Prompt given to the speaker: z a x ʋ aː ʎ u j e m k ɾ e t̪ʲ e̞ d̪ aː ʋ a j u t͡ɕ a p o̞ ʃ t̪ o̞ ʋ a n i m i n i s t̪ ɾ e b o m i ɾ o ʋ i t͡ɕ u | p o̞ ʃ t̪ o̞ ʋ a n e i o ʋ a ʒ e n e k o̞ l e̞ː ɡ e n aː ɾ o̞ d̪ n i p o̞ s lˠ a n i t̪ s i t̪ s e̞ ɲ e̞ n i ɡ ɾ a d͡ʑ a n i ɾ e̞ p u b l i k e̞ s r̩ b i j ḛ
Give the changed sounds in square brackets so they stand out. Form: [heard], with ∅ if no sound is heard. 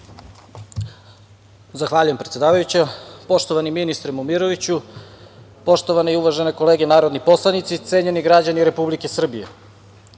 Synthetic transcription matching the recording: z a x ʋ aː ʎ u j e m [p] ɾ e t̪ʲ e̞ d̪ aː ʋ a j u t͡ɕ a p o̞ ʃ t̪ o̞ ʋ a n i m i n i s t̪ ɾ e [m] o m i ɾ o ʋ i t͡ɕ u | p o̞ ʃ t̪ o̞ ʋ a n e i [u] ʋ a ʒ e n e k o̞ l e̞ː ɡ e n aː ɾ o̞ d̪ n i p o̞ s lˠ a n i t̪ s i t̪ s e̞ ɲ e̞ n i ɡ ɾ a d͡ʑ a n i ɾ e̞ p u b l i k e̞ s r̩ b i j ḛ